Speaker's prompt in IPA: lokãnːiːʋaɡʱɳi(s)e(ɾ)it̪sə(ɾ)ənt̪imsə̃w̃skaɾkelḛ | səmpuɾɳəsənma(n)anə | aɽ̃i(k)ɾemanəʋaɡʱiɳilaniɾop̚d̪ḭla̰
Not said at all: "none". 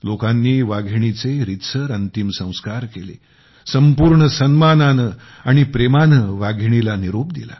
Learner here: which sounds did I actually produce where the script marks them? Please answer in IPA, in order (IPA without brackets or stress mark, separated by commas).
t͡s, ɾ, ɾ, n, p